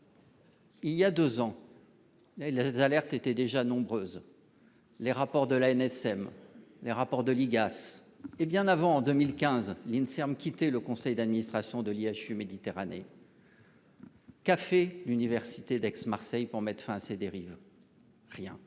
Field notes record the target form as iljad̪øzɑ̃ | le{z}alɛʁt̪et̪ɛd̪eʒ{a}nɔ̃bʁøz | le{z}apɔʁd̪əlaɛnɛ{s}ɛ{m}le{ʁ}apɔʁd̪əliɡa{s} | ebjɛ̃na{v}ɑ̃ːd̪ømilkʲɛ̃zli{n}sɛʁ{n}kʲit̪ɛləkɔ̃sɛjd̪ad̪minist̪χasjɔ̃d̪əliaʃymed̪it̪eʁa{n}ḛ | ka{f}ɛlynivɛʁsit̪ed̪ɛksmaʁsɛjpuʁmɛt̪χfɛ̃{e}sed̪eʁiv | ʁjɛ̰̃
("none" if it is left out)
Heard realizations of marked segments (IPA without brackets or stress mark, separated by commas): z, a, ʁ, s, m, ʁ, s, v, n, m, n, f, a